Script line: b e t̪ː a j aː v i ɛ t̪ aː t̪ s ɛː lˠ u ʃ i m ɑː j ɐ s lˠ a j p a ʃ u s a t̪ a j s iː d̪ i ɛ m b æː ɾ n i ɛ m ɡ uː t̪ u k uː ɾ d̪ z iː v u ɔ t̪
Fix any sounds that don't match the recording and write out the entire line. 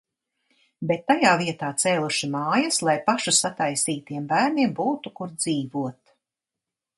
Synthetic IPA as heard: b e t̪ː a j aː v i ɛ t̪ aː t̪ s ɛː lˠ u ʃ i m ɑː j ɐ s lˠ a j p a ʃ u s a t̪ a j s iː t̪ i ɛ m b æː ɾ n i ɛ m b uː t̪ u k u ɾ d̪ z iː v u ɔ t̪